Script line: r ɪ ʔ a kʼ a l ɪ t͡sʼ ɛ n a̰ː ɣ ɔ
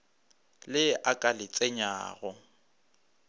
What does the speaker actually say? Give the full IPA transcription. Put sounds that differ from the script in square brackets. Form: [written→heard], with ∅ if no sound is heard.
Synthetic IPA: [r→l] ɪ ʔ a kʼ a l ɪ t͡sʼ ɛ [n→ɲ] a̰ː ɣ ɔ